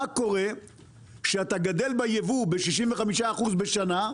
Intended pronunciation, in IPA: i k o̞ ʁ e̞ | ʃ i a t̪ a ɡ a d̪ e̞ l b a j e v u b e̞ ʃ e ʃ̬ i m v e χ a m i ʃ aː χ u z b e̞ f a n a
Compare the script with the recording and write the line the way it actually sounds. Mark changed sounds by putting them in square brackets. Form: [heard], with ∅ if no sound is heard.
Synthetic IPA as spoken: [a] k o̞ ʁ e̞ | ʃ [e] a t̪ a ɡ a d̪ e̞ l b a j e v u b e̞ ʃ [i] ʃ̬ i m v e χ a m i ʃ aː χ u z b e̞ [ʃ] a n a